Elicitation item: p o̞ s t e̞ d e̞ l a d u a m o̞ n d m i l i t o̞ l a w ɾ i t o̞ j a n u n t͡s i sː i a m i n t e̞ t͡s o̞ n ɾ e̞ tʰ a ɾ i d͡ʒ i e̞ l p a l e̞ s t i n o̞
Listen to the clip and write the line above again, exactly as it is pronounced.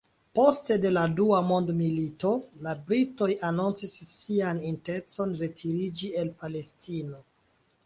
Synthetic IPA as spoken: p o̞ s t e̞ d e̞ l a d u a m o̞ n d m i l i t o̞ l a b ɾ i t o̞ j a n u n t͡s i sː i a n i n t e̞ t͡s o̞ n ɾ e̞ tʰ i ɾ i d͡ʒ i e̞ l p a l e̞ s t i n o̞